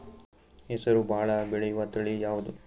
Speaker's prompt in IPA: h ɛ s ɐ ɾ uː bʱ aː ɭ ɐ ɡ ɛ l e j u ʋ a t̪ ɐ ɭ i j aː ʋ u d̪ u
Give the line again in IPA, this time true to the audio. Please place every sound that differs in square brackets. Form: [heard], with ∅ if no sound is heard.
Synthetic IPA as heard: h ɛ s ɐ ɾ [u] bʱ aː ɭ ɐ [b] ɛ [ɭ] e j u ʋ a t̪ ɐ ɭ i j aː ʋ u d̪ u